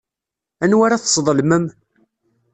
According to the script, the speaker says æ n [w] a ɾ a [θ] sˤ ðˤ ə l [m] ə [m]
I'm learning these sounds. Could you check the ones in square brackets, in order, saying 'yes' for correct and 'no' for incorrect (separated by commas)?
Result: yes, yes, yes, yes